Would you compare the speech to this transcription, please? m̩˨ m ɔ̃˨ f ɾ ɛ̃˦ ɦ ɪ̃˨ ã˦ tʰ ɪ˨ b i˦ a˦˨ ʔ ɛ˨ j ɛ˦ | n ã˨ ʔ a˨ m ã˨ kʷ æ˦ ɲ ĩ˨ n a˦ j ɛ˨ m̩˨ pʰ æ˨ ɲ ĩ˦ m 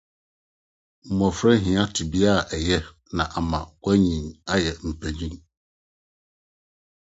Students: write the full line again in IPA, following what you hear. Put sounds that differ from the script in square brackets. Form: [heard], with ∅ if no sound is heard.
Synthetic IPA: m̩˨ m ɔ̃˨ f ɾ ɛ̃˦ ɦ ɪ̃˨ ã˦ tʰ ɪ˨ b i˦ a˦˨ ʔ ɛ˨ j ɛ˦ | n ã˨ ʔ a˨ m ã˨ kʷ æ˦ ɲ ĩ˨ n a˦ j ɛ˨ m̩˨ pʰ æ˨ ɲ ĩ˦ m